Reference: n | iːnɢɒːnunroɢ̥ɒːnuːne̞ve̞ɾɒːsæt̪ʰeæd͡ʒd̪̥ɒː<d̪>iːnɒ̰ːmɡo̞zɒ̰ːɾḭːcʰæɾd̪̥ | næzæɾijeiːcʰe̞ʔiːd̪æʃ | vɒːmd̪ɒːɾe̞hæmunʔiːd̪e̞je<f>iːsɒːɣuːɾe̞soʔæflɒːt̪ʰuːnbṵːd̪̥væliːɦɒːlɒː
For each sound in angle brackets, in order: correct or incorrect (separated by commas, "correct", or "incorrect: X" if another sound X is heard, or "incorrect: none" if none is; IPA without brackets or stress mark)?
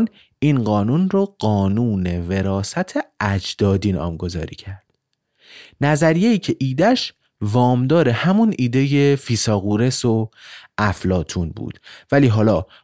correct, correct